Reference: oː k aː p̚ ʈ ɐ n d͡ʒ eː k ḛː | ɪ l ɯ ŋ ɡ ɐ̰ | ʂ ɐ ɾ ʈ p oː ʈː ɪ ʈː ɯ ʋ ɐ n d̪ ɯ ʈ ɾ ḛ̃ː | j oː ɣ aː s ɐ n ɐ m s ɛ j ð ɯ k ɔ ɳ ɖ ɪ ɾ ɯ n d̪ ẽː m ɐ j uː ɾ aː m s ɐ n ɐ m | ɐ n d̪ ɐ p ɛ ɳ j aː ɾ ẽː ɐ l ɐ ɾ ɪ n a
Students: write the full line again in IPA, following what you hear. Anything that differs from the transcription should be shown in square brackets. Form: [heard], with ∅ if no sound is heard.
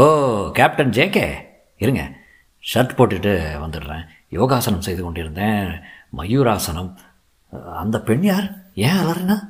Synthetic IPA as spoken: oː k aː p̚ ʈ ɐ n d͡ʒ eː k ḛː | ɪ [ɾ] ɯ ŋ ɡ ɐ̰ | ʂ ɐ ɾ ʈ p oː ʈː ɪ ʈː ɯ ʋ ɐ n d̪ ɯ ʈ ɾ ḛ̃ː | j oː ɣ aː s ɐ n ɐ m s ɛ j ð ɯ k ɔ ɳ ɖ ɪ ɾ ɯ n d̪ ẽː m ɐ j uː ɾ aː [∅] s ɐ n ɐ m | ɐ n d̪ ɐ p ɛ ɳ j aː ɾ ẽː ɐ l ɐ ɾ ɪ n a